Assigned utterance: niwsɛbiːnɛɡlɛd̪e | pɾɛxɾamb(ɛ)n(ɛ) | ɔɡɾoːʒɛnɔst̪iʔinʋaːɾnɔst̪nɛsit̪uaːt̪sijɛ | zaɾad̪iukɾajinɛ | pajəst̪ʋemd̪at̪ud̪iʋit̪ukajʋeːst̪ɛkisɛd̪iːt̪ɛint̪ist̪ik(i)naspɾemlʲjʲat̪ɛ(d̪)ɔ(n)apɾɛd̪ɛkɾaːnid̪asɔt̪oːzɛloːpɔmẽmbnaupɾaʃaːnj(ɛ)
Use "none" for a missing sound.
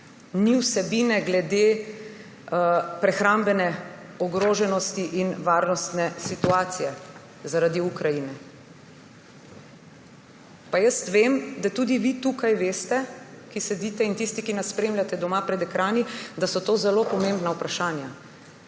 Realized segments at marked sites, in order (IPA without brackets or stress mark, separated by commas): ɛ, ɛ, i, d̪, m, a